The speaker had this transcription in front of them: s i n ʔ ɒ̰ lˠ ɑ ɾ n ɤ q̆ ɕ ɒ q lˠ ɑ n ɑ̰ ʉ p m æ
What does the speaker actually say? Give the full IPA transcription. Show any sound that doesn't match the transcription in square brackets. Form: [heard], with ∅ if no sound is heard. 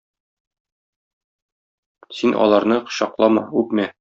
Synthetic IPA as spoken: s i n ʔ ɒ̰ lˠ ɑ ɾ n ɤ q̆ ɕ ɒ q lˠ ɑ [m] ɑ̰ ʉ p m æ